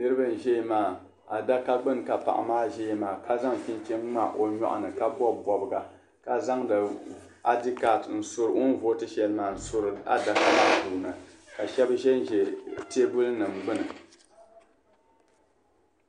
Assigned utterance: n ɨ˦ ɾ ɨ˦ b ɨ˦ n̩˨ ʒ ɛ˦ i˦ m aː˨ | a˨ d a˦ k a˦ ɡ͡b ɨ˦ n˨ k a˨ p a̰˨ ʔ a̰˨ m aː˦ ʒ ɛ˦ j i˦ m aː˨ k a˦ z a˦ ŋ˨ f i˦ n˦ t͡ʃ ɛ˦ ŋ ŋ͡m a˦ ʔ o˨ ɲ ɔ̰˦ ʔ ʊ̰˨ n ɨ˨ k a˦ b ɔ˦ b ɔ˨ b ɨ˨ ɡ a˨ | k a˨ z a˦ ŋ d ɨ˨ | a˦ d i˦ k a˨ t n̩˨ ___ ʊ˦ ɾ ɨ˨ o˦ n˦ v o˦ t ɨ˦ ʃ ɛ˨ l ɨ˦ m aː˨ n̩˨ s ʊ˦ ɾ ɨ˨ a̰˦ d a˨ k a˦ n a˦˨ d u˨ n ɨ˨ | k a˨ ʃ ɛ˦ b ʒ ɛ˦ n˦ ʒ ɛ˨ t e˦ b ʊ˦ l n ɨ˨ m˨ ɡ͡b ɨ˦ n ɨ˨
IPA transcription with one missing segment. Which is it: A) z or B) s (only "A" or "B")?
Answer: B